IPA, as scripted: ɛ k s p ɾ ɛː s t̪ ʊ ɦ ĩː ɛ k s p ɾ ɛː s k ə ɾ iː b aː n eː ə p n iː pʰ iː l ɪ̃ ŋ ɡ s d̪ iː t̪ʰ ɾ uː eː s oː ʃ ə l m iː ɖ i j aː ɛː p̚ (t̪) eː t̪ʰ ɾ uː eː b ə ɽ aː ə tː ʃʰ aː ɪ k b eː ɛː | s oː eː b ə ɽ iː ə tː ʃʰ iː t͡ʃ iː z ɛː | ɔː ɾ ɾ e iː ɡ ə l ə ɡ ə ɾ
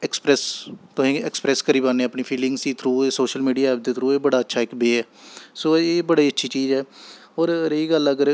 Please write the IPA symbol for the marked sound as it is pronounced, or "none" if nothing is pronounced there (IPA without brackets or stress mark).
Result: d̪